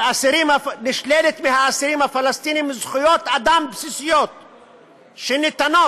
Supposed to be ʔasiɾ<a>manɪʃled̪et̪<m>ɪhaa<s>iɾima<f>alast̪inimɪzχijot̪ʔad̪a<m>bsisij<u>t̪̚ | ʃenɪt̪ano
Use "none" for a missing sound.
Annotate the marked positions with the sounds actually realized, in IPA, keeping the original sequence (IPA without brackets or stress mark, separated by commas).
i, m, s, f, m, o